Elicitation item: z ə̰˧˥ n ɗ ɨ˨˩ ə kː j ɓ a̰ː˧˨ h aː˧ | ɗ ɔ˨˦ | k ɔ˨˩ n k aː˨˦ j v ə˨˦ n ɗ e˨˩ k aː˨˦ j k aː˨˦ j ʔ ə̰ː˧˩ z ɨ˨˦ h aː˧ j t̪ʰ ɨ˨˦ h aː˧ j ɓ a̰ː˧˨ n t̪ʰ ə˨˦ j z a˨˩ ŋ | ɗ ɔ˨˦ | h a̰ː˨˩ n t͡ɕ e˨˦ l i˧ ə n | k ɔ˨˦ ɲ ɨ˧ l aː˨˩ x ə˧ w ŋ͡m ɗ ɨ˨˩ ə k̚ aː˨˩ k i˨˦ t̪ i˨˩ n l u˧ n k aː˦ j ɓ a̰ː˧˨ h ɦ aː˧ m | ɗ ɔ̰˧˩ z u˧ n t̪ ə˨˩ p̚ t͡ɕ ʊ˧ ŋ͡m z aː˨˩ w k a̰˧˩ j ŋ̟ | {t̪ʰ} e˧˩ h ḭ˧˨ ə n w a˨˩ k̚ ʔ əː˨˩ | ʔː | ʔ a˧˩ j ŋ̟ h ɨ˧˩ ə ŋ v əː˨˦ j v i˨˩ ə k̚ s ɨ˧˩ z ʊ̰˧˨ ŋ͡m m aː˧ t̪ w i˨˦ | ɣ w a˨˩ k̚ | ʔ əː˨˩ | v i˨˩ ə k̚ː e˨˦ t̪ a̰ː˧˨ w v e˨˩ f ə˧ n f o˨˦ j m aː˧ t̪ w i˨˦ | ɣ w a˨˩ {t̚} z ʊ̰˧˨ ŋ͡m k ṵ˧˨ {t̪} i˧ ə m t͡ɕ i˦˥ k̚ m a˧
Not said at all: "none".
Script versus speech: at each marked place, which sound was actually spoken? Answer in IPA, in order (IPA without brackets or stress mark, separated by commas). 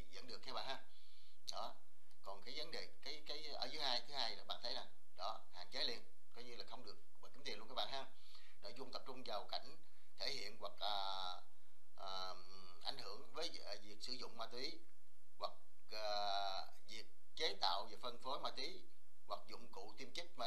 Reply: t̪ʰ, k̚, t̪